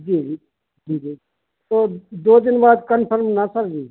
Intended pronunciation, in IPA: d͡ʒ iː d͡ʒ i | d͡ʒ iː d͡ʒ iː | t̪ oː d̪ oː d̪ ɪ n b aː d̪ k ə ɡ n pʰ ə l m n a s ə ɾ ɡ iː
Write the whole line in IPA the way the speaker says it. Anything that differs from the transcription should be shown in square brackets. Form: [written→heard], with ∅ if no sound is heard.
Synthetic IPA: d͡ʒ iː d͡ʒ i | d͡ʒ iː d͡ʒ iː | t̪ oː d̪ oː d̪ ɪ n b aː d̪ k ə [ɡ→∅] n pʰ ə [l→ɾ] m n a s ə ɾ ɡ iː